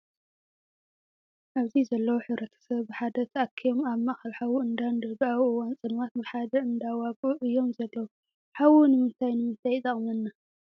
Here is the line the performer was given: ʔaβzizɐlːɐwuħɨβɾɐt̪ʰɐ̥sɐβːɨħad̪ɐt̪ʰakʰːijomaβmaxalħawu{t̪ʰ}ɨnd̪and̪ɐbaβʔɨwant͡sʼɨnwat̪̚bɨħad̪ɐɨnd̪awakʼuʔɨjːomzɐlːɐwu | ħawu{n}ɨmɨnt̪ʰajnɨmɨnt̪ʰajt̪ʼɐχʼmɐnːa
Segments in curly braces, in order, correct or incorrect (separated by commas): incorrect, correct